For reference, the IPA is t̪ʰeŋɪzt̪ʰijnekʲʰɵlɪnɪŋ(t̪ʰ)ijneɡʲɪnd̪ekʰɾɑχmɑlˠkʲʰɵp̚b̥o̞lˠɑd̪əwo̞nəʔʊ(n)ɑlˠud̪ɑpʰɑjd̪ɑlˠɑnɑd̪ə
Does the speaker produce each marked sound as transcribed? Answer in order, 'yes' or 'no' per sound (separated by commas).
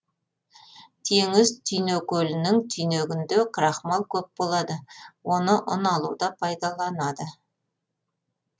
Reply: yes, yes